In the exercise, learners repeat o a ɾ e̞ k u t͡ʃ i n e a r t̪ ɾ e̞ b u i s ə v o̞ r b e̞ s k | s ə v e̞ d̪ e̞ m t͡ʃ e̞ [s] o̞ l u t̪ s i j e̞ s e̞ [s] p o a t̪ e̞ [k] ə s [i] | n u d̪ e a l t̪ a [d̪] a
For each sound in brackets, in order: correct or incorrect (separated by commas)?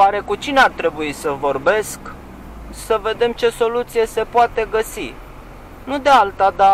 correct, incorrect, incorrect, correct, correct